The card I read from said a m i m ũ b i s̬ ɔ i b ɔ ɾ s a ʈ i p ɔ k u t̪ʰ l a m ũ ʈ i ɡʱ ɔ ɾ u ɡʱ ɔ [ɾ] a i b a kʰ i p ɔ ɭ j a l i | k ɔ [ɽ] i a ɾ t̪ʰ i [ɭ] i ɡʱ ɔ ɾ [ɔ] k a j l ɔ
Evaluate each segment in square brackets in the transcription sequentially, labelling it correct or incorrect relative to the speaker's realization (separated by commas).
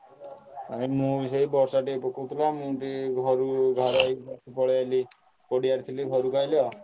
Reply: correct, correct, incorrect, incorrect